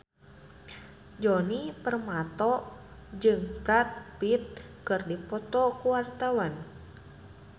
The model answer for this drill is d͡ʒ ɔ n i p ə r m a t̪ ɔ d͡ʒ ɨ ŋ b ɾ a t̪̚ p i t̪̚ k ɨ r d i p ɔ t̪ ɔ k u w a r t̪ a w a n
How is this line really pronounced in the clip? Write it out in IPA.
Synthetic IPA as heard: d͡ʒ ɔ n i p ə r m a t̪ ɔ d͡ʒ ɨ ŋ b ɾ a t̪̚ p i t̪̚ k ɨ r d i p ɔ t̪ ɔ k u w a r t̪ a w a n

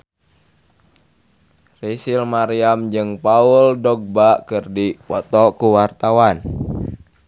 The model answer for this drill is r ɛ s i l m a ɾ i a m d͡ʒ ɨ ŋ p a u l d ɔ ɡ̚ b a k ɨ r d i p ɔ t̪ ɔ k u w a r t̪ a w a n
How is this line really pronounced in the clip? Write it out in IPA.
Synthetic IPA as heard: r i s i l m a ɾ i a m d͡ʒ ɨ ŋ p a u l d ɔ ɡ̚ b a k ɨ r d i p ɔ t̪ ɔ k u w a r t̪ a w a n

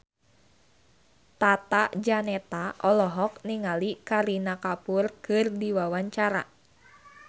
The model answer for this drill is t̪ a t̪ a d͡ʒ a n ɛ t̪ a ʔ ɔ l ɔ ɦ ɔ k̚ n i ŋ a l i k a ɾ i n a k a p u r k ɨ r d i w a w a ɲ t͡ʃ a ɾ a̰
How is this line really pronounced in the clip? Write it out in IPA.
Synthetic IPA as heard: t̪ a t̪ a d͡ʒ a n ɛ t̪ a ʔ ɔ l ɔ ɦ ɔ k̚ n i ŋ a l i k a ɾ i n a k a p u r k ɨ r d i w a w a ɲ t͡ʃ a ɾ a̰

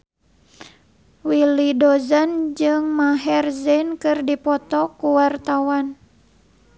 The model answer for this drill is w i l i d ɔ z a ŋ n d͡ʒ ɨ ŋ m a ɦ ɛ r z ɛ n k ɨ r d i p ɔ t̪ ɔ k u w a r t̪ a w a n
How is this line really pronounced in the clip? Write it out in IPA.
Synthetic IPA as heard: w i l i d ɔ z a n d͡ʒ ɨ ŋ m a ɦ ɛ r z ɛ n k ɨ r d i p ɔ t̪ ɔ k u w a r t̪ a w a n

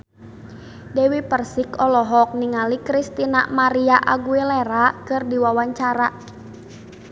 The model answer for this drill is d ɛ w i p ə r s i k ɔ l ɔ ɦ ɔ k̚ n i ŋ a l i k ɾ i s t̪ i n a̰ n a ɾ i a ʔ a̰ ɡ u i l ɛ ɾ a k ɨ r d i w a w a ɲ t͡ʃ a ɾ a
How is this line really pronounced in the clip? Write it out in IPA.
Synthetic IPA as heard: d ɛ w i p ə r s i k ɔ l ɔ ɦ ɔ k̚ n i ŋ a l i k ɾ i s t̪ i n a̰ m a ɾ i a ʔ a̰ ɡ u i l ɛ ɾ a k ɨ r d i w a w a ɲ t͡ʃ a ɾ a

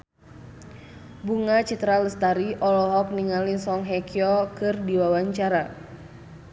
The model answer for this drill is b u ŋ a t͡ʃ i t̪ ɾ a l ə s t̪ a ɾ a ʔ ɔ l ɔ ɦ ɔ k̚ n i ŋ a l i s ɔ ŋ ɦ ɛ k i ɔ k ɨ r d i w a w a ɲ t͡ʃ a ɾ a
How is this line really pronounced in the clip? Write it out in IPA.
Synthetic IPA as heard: b u ŋ a t͡ʃ i t̪ ɾ a l ə s t̪ a ɾ i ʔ ɔ l ɔ ɦ ɔ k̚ n i ŋ a l i s ɔ ŋ ɦ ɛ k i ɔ k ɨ r d i w a w a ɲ t͡ʃ a ɾ a

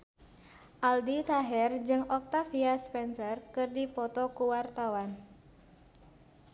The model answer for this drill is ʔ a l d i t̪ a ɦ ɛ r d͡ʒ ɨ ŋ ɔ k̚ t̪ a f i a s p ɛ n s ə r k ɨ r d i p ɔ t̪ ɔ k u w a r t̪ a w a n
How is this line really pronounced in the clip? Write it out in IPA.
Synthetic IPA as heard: ʔ a l d i t̪ a ɦ ɛ r d͡ʒ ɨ ŋ ɔ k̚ t̪ a f i a s p ɛ n s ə r k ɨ r d i p ɔ t̪ ɔ k u w a r t̪ a w a n

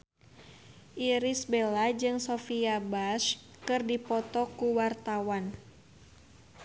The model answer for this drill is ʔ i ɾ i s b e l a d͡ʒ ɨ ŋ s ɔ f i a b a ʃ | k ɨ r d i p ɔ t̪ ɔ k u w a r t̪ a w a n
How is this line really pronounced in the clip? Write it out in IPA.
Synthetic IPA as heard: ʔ i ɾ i s b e l a d͡ʒ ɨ ŋ s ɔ f i a b a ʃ | k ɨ r d i p ɔ t̪ ɔ k u w a r t̪ a w a n

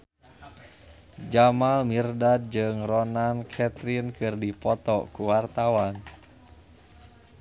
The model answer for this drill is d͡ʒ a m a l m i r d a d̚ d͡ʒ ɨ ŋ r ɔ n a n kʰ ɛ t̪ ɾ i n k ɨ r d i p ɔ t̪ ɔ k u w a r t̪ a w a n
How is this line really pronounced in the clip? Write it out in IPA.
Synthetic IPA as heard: d͡ʒ a m a l m i r d a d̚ d͡ʒ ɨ ŋ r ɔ n a n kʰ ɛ t̪ ɾ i n k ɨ r d i p ɔ t̪ ɔ k u w a r t̪ a w a n

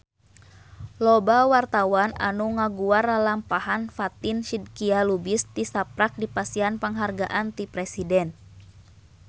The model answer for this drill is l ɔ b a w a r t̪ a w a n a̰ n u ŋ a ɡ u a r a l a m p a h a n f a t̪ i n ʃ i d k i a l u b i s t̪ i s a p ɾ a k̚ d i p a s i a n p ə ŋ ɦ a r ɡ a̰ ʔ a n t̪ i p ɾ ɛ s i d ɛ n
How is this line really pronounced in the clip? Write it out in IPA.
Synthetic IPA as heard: l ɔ b a w a r t̪ a w a n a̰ n u ŋ a ɡ u a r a l a m p a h a n f a t̪ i n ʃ i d k i a l u b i s t̪ i s a p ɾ a k̚ d i p a s i a n p ə ŋ ɦ a r ɡ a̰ ʔ a n t̪ i p ɾ ɛ s i d ɛ n

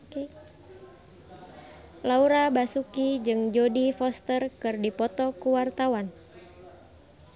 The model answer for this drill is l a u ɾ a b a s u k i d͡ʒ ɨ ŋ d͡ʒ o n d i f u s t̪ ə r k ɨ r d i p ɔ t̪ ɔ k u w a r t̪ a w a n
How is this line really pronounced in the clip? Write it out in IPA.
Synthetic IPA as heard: l a u ɾ a b a s u k i d͡ʒ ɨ ŋ d͡ʒ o d i f ɔ s t̪ ə r k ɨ r d i p ɔ t̪ ɔ k u w a r t̪ a w a n

